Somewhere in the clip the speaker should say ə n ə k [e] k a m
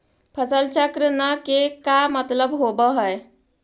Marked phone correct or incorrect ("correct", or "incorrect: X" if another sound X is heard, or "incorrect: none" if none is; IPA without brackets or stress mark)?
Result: correct